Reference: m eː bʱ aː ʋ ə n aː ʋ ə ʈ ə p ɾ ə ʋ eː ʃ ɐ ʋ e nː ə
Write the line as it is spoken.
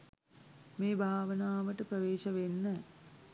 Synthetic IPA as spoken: m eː bʱ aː ʋ ə n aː ʋ ə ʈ ə p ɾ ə ʋ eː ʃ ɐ ʋ e nː ə